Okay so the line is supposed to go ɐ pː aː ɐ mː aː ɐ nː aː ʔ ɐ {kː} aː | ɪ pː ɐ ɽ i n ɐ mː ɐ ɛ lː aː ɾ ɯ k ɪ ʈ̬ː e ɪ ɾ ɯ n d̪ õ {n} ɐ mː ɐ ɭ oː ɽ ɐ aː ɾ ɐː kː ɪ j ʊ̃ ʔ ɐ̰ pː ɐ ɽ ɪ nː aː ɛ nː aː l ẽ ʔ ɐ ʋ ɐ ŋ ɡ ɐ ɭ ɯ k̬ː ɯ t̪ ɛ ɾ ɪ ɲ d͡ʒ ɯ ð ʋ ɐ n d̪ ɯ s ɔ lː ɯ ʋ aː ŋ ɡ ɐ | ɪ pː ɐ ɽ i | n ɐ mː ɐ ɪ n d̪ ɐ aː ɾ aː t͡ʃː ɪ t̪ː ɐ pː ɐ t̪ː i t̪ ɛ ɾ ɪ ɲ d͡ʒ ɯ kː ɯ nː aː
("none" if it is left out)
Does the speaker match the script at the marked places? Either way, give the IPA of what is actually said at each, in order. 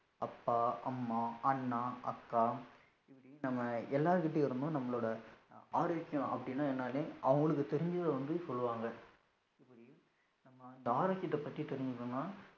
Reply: kː, n

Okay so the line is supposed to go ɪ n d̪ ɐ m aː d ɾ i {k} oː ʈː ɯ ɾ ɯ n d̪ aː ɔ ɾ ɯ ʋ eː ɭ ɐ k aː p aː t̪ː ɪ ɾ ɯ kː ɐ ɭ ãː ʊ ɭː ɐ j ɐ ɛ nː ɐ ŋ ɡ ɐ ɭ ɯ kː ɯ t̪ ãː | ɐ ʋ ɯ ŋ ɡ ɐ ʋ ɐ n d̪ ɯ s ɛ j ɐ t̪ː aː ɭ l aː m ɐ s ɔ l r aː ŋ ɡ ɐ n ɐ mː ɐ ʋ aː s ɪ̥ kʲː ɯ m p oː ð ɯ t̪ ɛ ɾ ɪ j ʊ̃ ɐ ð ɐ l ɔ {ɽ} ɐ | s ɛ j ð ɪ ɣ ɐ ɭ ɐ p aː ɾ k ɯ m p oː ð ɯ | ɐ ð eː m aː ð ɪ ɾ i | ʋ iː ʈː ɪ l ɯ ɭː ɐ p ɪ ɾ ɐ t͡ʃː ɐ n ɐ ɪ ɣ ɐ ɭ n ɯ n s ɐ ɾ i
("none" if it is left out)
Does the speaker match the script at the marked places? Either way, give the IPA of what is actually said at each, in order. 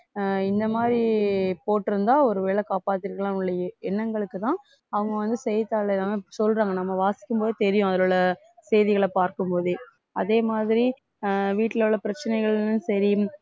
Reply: p, ɭ

